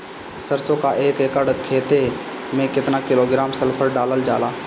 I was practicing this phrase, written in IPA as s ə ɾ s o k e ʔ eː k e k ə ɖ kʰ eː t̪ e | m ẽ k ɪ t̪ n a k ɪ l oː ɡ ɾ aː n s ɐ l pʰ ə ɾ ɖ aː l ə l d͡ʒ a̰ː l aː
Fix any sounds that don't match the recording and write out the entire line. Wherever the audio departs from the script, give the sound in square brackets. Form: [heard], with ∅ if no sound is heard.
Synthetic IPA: s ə ɾ s o k [a] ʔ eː k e k ə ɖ kʰ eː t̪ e | m ẽ k ɪ t̪ n a k ɪ l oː ɡ ɾ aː [m] s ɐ l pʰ ə ɾ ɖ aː l ə l d͡ʒ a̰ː l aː